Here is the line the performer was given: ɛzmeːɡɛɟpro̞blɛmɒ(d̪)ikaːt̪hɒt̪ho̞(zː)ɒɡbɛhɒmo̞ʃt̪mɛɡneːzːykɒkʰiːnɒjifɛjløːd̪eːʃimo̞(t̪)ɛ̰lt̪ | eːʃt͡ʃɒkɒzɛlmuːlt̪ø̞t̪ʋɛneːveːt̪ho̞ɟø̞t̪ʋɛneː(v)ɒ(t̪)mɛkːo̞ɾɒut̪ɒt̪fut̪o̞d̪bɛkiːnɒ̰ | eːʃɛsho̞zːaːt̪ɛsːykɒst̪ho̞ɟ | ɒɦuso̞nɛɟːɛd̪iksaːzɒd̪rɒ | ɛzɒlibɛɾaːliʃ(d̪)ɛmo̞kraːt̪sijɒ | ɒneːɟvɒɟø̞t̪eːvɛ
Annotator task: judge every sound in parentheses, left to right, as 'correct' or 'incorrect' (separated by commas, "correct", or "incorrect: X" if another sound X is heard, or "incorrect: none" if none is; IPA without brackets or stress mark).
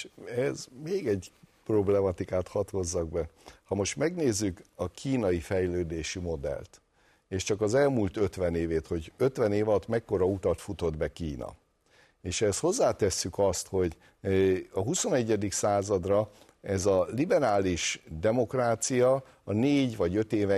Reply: incorrect: t̪, correct, incorrect: d̪, correct, correct, correct